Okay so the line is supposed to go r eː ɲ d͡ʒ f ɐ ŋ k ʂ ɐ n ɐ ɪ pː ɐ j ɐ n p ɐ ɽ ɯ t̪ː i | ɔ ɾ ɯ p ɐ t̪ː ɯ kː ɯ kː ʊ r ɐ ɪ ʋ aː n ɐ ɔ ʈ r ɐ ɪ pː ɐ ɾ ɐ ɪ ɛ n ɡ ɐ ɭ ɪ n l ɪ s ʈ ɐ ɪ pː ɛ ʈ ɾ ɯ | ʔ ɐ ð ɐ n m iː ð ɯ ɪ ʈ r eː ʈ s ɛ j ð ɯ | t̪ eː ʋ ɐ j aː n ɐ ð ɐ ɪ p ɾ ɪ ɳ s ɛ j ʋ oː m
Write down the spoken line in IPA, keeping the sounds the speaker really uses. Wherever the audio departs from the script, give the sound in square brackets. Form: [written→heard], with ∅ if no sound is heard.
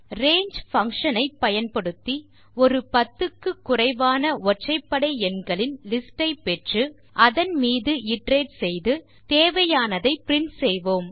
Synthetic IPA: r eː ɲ d͡ʒ f ɐ ŋ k ʂ ɐ n ɐ ɪ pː ɐ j ɐ n p ɐ ɽ ɯ t̪ː i | ɔ ɾ ɯ p ɐ t̪ː ɯ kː ɯ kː ʊ r ɐ ɪ ʋ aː n ɐ ɔ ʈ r ɐ ɪ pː ɐ [ɾ→ɽ] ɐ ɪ ɛ n ɡ ɐ ɭ ɪ n l ɪ s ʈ ɐ ɪ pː ɛ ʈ [ɾ→r] ɯ | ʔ ɐ ð ɐ n m iː ð ɯ ɪ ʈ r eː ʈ s ɛ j ð ɯ | t̪ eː ʋ ɐ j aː n ɐ ð ɐ ɪ p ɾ ɪ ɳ s ɛ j ʋ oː m